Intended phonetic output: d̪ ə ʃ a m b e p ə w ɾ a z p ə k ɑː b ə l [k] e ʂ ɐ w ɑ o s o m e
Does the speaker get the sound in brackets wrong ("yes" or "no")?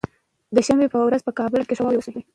no